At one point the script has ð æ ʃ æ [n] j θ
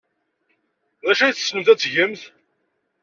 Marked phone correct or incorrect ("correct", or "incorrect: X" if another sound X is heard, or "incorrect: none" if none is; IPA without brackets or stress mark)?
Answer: incorrect: none